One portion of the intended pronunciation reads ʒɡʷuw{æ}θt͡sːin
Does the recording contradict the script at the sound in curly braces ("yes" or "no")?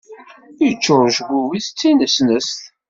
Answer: yes